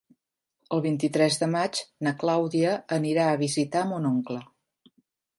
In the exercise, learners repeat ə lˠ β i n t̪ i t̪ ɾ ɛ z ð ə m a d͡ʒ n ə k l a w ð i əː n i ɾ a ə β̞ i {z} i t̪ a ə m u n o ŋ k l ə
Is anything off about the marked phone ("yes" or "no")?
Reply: no